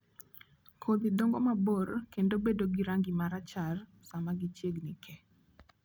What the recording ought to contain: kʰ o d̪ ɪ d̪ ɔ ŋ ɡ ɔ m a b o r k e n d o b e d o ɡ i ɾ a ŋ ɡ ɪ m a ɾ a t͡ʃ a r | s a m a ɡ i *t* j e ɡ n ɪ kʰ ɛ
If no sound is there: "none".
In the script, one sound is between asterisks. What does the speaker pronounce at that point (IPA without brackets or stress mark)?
t͡ʃ